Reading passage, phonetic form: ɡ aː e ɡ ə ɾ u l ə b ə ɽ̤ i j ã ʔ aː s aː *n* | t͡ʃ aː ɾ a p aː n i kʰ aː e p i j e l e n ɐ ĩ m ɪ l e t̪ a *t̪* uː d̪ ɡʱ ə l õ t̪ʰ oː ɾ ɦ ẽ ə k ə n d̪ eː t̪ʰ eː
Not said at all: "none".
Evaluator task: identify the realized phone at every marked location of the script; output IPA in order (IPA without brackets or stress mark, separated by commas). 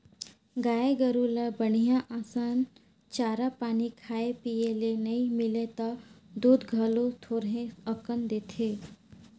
n, d̪